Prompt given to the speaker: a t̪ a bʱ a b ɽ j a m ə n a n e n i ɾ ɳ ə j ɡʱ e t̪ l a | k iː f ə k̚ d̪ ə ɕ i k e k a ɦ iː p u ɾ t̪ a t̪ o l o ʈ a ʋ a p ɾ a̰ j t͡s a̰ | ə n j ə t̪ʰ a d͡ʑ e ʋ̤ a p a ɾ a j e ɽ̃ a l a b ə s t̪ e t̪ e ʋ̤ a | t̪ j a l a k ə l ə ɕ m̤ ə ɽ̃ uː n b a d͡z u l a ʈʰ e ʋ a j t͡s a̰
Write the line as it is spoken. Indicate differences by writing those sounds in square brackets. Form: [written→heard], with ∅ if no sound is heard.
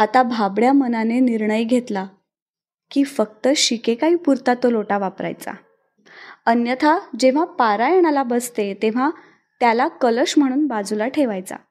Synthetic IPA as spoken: a t̪ a bʱ a b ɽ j a m ə n a n e n i ɾ ɳ ə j ɡʱ e t̪ l a | k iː f ə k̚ [d̪→t̪] ə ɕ i k e k a ɦ iː p u ɾ t̪ a t̪ o l o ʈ a ʋ a p ɾ a̰ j t͡s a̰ | ə n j ə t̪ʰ a d͡ʑ e ʋ̤ a p a ɾ a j e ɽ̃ a l a b ə s t̪ e t̪ e ʋ̤ a | t̪ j a l a k ə l ə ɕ m̤ ə ɽ̃ uː n b a d͡z u l a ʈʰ e ʋ a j t͡s a̰